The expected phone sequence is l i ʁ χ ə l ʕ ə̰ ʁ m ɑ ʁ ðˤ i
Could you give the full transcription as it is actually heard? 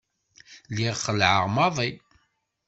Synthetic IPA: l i ʁ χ ə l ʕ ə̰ ʁ m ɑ ðˤ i